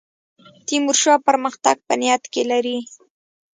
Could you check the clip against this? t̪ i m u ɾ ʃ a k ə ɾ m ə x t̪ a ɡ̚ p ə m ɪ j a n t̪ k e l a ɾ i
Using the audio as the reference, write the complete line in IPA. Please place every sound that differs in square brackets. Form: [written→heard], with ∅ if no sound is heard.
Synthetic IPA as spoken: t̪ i m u ɾ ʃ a [k→p] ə ɾ m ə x t̪ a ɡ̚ p ə [m→n] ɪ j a [n→∅] t̪ k e l a ɾ i